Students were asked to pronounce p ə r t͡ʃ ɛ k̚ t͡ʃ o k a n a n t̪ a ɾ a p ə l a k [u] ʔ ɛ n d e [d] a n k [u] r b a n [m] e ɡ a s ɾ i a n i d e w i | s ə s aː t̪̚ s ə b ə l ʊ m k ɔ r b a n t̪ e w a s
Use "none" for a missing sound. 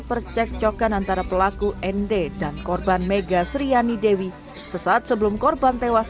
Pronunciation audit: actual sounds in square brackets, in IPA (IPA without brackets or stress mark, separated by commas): u, d, ɔ, m